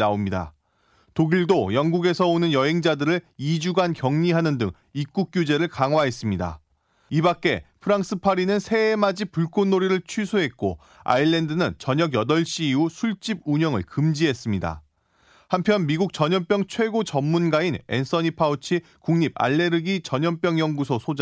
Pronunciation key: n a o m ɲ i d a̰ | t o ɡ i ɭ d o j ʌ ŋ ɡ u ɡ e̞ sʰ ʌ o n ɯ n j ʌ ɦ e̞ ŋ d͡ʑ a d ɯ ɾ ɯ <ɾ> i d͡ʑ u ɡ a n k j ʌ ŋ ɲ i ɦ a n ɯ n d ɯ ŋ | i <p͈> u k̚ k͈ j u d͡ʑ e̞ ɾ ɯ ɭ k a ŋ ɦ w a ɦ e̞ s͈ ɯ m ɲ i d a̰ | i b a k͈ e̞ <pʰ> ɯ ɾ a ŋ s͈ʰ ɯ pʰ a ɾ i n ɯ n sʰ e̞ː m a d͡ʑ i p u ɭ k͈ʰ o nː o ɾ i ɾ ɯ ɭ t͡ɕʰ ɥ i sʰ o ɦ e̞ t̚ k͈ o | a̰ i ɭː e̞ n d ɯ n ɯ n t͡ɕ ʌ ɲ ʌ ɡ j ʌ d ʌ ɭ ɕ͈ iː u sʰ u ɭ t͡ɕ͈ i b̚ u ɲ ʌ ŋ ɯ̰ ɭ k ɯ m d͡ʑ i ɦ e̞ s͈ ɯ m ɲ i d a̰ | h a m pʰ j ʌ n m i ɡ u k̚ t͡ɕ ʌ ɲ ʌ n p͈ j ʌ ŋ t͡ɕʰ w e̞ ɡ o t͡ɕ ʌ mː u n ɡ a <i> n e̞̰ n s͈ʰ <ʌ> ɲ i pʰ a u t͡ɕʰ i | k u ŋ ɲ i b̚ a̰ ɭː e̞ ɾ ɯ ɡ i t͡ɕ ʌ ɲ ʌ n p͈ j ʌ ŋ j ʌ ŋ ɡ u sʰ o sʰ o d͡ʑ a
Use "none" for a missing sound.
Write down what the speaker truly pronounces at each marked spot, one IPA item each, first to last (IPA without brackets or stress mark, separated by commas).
ɭ, k͈, pʰ, i, ʌ